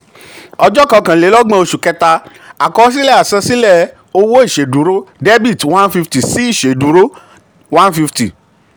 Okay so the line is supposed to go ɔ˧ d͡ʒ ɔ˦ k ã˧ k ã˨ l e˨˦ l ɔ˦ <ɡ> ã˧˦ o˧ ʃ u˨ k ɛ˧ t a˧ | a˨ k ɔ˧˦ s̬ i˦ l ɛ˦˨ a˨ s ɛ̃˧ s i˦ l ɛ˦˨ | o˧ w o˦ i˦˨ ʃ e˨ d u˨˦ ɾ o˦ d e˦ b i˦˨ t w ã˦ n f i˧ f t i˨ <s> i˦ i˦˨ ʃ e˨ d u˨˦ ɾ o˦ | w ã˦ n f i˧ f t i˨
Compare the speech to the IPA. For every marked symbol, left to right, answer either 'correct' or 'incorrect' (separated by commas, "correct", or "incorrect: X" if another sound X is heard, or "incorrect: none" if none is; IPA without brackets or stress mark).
incorrect: ɡ͡b, correct